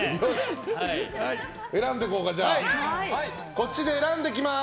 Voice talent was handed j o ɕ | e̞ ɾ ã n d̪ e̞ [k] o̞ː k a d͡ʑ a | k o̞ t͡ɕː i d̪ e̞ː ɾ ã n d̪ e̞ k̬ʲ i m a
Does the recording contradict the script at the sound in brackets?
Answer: no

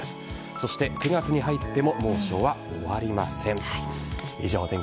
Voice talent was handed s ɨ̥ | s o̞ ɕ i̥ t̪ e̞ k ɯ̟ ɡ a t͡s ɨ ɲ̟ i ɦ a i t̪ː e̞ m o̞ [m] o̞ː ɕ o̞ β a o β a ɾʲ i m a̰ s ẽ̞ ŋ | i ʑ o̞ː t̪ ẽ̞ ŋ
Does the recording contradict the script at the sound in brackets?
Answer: no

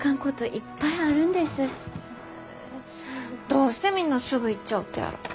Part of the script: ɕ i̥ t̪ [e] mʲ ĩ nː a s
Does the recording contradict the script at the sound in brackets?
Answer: no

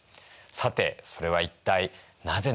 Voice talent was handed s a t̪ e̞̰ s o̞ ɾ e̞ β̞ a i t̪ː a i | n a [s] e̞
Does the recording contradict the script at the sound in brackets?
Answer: yes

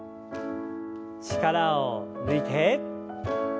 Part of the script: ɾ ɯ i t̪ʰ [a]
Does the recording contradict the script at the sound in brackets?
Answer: yes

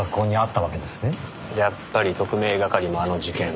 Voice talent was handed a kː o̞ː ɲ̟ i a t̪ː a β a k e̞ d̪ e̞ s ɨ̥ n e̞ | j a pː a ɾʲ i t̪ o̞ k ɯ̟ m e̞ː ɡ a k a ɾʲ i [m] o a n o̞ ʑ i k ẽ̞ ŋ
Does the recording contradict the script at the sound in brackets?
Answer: no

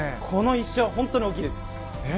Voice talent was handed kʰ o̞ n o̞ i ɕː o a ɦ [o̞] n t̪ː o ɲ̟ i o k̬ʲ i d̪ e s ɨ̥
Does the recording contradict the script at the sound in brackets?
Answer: yes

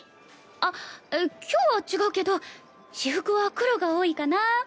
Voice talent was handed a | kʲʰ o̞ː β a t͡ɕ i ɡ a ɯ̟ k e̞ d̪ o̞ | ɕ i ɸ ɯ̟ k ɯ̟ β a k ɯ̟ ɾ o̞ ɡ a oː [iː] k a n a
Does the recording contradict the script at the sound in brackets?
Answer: yes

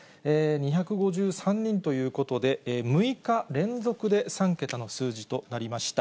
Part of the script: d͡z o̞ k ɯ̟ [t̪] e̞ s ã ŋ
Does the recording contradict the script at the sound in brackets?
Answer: yes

